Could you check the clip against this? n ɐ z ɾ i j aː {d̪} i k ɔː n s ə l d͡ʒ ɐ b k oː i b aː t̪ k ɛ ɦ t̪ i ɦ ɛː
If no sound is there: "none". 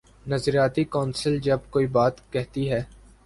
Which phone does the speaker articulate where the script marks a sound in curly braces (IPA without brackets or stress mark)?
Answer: t̪